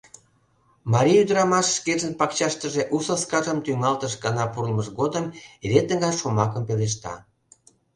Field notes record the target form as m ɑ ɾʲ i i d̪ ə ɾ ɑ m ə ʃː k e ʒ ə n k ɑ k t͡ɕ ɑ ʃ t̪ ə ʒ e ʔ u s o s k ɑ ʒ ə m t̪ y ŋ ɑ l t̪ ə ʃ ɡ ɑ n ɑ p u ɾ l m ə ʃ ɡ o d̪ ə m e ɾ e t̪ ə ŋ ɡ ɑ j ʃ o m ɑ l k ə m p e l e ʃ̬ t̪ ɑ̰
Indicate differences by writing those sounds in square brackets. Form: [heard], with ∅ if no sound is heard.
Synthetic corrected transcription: m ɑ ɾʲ i [y] d̪ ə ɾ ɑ m [ɑ] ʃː k e ʒ ə n [p] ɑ k t͡ɕ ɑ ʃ t̪ ə ʒ e ʔ u s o s k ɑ ʒ ə m t̪ y ŋ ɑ l t̪ ə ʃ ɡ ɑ n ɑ p u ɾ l m ə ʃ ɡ o d̪ ə m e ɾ e t̪ ə ŋ ɡ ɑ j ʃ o m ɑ [∅] k ə m p e l e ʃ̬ t̪ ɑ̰